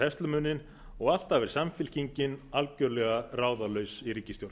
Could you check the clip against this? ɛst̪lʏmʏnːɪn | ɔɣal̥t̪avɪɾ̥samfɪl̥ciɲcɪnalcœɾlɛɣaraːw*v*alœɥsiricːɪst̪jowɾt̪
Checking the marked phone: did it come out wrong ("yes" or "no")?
yes